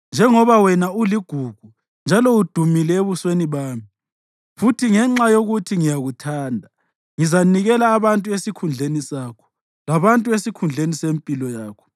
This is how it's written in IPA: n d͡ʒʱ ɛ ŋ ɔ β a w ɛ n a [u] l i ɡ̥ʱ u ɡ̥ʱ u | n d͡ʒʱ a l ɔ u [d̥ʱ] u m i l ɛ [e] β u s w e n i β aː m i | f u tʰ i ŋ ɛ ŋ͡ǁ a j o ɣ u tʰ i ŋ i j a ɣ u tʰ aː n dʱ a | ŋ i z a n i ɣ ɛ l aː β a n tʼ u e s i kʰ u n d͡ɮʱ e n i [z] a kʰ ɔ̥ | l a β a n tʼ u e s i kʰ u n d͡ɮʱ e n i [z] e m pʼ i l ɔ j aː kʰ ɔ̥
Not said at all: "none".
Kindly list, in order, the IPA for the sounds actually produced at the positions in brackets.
u, d̥ʱ, e, s, s

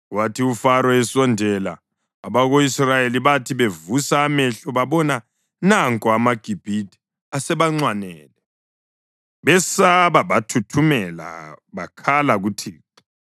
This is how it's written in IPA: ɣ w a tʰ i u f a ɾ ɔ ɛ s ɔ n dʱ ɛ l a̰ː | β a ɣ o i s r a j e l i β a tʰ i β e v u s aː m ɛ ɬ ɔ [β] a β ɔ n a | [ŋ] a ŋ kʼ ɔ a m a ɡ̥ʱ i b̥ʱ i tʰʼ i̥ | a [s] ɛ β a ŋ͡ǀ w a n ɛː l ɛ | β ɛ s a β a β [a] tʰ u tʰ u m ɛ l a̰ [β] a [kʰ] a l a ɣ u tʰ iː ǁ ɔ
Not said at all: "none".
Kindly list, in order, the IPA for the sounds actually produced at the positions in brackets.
β, n, s, a, β, kʰ

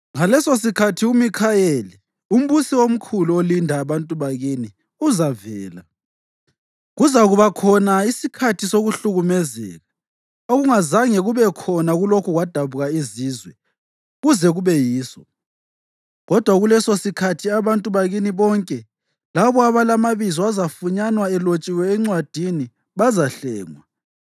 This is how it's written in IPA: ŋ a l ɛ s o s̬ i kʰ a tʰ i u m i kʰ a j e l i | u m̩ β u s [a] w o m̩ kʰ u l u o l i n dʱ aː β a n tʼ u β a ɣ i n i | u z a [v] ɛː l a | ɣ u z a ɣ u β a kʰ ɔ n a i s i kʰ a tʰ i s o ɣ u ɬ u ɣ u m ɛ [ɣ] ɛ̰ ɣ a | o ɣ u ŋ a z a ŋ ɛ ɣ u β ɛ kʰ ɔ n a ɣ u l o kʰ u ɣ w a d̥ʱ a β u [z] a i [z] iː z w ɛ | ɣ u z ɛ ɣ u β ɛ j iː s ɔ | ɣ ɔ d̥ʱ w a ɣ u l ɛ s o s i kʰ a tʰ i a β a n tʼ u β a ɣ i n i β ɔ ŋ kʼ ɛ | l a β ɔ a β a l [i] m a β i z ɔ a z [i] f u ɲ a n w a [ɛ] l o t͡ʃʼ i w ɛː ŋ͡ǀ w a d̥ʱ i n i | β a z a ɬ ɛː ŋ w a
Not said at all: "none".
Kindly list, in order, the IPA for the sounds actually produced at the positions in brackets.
i, v, z, ɣ, z, a, a, ɛ

